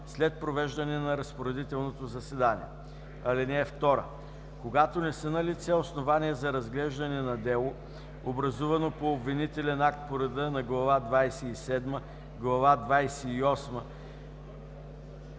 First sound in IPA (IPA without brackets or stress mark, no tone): s